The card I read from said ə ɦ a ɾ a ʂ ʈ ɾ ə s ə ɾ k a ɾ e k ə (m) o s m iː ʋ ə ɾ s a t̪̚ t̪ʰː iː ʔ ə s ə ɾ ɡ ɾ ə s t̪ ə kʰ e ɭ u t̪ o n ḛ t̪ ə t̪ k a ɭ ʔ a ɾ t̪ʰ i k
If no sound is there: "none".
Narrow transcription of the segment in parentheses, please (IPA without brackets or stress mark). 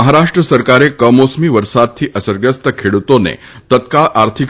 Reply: m